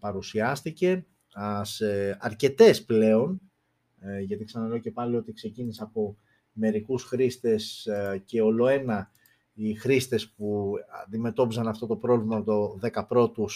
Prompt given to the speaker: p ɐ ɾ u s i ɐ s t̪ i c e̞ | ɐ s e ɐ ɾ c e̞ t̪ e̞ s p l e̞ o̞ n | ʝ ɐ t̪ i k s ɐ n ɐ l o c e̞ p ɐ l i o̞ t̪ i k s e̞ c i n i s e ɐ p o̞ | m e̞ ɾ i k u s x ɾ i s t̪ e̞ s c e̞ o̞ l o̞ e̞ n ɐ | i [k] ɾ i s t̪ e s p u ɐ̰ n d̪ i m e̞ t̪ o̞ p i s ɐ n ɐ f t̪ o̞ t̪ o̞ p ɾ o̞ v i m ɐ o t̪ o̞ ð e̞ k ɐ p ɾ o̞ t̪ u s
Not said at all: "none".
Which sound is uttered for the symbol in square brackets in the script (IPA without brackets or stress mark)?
x